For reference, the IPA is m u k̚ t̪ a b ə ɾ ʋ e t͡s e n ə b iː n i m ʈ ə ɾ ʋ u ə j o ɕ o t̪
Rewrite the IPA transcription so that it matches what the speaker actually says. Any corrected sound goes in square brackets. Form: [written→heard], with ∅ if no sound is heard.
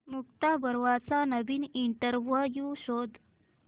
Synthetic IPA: m u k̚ t̪ a b ə ɾ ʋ [e→a] t͡s [e→a] n ə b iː n i [m→ɳ] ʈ ə ɾ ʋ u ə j [o→u] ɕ o [t̪→d̪]